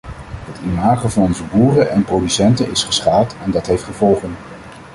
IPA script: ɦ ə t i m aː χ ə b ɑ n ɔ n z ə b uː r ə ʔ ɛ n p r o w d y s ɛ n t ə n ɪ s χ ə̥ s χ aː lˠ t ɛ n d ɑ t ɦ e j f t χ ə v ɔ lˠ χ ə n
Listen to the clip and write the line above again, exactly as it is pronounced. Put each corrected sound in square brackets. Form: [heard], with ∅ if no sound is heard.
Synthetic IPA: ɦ ə t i m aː χ ə [v] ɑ n ɔ n z ə b uː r ə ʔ ɛ n p r o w d y s ɛ n t ə n ɪ s χ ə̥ s χ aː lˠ t ɛ n d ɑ t ɦ e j f t χ ə v ɔ lˠ χ ə n